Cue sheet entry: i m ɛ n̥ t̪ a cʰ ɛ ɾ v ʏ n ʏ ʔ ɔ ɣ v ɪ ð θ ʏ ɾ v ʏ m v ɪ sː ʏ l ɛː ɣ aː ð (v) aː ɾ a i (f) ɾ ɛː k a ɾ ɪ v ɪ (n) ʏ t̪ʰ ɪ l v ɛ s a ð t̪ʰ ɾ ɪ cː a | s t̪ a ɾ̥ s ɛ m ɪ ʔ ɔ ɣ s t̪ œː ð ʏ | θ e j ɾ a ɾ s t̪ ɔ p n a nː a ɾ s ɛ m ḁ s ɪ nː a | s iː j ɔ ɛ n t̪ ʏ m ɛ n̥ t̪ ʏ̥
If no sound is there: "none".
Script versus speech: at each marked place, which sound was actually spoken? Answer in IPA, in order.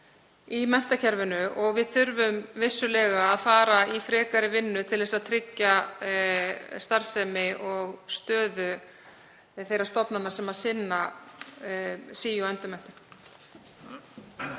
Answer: f, f, nː

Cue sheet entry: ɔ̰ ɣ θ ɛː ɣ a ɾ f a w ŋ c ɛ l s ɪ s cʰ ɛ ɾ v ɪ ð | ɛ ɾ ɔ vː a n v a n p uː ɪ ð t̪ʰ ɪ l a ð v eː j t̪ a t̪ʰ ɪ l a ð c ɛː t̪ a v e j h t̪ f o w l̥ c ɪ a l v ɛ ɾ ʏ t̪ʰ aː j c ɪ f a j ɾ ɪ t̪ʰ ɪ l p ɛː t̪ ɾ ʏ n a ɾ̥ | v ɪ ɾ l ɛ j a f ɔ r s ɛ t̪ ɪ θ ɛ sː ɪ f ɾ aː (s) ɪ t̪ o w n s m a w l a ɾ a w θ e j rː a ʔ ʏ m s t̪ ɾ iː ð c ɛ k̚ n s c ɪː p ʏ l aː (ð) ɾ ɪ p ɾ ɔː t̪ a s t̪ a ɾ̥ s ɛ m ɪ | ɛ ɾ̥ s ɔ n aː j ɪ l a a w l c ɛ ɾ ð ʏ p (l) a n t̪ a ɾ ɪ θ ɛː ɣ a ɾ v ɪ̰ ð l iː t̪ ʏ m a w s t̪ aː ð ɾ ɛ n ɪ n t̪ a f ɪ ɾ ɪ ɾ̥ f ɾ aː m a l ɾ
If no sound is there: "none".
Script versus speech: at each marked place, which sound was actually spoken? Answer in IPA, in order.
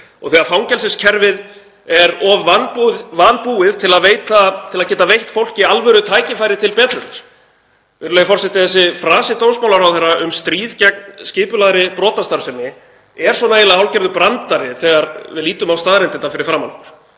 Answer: s, ð, ɾ

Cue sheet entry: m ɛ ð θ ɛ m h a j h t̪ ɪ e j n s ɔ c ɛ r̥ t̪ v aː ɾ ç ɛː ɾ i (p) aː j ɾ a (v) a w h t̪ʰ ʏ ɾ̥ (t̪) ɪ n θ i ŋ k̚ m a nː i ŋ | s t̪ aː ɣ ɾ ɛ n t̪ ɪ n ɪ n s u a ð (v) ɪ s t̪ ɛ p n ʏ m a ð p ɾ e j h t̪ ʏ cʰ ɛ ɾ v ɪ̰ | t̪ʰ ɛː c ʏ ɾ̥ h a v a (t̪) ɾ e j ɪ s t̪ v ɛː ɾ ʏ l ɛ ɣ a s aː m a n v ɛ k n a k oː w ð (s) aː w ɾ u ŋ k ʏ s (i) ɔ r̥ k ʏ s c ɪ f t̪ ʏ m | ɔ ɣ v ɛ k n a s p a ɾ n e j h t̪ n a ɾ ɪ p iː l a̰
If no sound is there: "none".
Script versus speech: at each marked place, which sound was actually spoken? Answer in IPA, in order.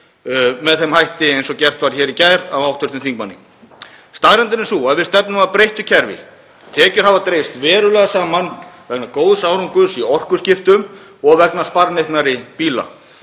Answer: c, v, t̪, v, t̪, s, i

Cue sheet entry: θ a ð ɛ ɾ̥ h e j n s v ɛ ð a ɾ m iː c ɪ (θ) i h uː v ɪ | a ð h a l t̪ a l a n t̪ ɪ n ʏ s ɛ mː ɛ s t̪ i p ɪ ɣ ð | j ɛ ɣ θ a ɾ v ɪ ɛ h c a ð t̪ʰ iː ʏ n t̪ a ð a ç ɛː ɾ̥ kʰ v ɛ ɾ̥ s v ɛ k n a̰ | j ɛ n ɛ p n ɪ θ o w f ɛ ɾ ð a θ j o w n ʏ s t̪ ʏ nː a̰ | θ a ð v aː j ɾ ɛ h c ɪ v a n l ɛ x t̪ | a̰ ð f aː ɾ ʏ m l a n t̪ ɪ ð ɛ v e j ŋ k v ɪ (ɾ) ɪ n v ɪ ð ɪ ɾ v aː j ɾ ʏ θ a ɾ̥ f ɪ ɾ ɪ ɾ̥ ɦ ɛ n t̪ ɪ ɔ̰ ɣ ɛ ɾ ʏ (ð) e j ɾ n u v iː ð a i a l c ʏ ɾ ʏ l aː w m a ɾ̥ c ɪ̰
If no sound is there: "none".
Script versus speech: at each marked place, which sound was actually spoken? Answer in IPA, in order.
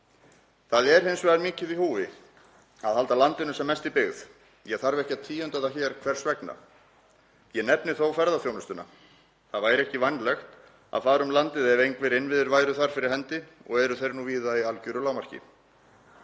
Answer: ð, ɾ, θ

